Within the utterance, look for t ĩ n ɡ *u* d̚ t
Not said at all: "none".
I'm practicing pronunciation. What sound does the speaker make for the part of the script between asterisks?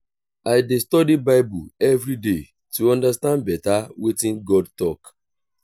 ɔ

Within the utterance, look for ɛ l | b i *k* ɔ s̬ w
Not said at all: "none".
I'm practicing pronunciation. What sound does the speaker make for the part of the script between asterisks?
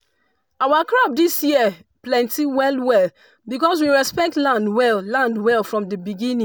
k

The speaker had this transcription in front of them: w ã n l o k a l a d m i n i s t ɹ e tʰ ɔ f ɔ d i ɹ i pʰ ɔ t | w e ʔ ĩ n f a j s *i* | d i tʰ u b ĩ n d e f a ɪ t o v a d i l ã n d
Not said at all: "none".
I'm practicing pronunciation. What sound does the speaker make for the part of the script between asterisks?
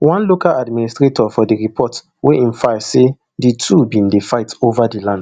e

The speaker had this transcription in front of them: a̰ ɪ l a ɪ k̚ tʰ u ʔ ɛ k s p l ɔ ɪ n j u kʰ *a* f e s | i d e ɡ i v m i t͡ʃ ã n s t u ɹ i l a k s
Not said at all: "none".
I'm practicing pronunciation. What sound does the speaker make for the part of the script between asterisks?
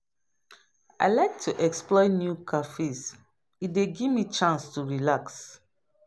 a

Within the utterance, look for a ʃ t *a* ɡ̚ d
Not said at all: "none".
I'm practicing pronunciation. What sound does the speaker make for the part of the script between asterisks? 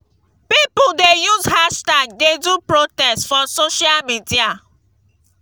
a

